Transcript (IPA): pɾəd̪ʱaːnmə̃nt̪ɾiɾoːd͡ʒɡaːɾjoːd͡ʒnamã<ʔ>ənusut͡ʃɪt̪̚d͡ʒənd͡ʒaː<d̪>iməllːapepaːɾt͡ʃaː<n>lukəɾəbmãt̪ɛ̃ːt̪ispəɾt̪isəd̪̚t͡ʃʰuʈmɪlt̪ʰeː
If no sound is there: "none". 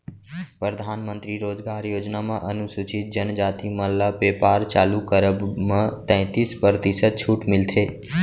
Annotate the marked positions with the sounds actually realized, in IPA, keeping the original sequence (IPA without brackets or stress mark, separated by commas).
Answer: ʔ, t̪, none